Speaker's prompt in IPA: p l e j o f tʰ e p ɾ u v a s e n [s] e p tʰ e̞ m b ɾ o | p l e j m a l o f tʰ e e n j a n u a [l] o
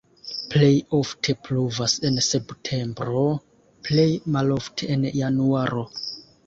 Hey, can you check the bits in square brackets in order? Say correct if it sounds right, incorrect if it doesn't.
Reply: correct, incorrect: ɾ

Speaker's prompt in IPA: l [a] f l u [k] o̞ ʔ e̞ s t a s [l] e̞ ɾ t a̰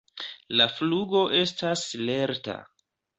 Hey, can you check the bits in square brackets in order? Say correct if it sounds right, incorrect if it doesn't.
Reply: correct, incorrect: ɡ, correct

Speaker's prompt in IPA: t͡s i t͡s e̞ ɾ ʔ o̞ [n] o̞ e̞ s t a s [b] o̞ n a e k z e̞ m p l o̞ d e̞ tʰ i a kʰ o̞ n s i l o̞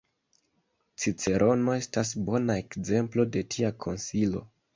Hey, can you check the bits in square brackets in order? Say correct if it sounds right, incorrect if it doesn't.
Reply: correct, correct

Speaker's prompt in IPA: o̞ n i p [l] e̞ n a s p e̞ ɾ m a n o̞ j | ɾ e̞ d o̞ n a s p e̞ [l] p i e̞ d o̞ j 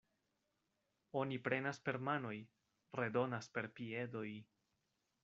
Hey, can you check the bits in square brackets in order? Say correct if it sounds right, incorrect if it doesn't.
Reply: incorrect: ɾ, incorrect: ɾ

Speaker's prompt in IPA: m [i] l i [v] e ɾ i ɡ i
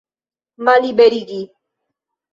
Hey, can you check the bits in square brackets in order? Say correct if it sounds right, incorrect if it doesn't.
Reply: incorrect: a, incorrect: b

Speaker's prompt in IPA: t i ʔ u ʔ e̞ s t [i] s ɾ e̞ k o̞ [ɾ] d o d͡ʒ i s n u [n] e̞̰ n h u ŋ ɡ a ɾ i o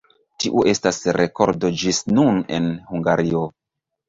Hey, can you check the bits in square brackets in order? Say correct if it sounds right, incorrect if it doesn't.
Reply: incorrect: a, correct, correct

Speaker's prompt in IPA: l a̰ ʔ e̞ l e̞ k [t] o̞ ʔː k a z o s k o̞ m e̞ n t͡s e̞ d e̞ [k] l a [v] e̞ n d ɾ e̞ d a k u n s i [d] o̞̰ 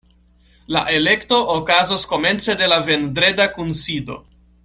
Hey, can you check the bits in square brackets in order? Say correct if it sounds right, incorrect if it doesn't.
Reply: correct, incorrect: none, correct, correct

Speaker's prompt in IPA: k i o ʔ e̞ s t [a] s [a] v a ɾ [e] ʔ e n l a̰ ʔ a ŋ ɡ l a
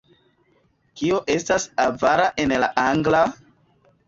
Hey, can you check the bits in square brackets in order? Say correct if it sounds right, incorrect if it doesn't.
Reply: correct, correct, incorrect: a

